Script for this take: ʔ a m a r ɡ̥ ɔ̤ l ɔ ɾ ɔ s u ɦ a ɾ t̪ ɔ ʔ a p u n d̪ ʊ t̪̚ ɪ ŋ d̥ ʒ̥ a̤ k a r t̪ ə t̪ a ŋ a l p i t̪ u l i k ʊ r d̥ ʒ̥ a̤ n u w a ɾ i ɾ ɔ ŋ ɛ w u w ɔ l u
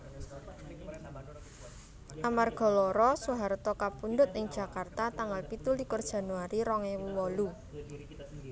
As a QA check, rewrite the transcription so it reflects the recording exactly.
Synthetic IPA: ʔ a m a r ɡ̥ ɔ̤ l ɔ ɾ ɔ s u ɦ a ɾ t̪ ɔ k a p u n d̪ ʊ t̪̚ ɪ ŋ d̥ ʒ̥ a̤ k a r t̪ a t̪ a ŋ a l p i t̪ u l i k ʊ r d̥ ʒ̥ a̤ n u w a ɾ i ɾ ɔ ŋ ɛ w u w ɔ l u